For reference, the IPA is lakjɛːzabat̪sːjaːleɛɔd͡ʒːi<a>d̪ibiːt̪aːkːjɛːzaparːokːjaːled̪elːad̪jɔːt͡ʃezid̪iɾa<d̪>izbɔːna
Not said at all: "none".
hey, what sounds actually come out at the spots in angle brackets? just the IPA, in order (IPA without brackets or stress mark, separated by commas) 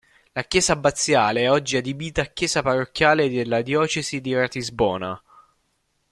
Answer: a, t̪